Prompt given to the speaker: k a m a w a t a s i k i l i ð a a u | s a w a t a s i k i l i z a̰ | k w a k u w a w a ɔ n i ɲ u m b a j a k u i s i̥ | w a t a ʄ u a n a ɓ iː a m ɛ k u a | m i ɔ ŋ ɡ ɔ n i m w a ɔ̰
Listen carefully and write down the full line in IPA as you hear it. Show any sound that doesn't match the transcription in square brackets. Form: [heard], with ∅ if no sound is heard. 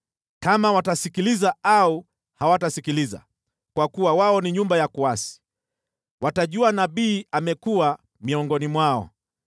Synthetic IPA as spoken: k a m a w a t a s i k i l i [z] a a u | [h] a w a t a s i k i l i z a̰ | k w a k u w a w a ɔ n i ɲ u m b a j a k u [a] s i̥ | w a t a ʄ u a n a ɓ iː a m ɛ k u a | m i ɔ ŋ ɡ ɔ n i m w a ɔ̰